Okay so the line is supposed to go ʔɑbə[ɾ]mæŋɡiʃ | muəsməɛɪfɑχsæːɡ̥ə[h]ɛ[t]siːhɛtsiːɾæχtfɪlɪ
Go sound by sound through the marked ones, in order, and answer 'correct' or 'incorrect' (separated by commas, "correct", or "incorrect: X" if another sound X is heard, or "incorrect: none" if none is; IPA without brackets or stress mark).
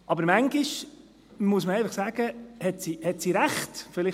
correct, correct, correct